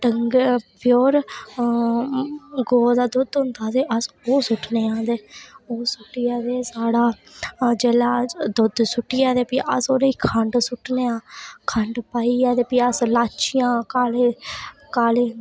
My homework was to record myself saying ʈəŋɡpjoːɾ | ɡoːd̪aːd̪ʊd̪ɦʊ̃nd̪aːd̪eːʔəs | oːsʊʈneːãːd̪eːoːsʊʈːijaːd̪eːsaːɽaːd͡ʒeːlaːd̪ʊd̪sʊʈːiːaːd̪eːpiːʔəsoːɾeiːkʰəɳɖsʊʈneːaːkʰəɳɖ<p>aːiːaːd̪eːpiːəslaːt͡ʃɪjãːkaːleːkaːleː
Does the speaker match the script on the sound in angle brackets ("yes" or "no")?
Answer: yes